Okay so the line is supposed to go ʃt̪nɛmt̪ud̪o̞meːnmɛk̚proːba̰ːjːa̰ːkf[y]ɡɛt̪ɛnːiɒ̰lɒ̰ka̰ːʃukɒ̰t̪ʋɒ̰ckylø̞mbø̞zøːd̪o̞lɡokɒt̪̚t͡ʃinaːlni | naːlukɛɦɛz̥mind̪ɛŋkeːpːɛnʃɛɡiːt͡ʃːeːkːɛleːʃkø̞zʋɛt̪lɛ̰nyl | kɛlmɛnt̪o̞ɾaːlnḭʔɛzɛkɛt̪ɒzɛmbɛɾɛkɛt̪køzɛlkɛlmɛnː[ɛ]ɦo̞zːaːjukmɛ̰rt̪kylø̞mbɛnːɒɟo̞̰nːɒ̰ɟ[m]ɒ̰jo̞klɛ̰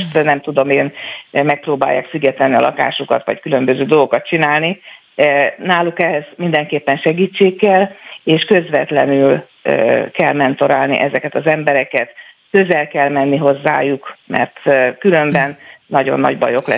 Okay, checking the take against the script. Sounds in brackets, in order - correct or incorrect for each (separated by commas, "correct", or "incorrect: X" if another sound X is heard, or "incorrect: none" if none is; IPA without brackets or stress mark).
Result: correct, incorrect: i, incorrect: b